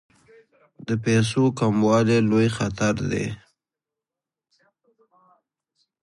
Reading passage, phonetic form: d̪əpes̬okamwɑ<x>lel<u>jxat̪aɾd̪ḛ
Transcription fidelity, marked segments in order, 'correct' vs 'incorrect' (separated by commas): incorrect, incorrect